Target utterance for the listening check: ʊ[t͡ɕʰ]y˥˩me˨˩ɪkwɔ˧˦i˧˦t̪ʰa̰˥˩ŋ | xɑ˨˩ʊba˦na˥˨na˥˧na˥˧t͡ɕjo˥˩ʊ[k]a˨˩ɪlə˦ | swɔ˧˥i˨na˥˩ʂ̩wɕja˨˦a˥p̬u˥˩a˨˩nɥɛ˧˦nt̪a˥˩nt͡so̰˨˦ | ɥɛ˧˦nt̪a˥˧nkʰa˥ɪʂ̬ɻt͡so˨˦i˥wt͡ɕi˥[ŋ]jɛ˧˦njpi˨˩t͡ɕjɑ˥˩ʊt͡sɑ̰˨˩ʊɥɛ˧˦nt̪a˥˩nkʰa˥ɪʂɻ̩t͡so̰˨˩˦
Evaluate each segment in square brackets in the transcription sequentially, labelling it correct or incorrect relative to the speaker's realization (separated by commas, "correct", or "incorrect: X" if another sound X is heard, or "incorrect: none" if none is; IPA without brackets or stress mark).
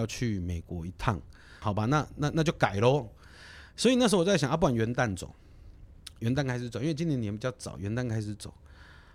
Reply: correct, correct, incorrect: n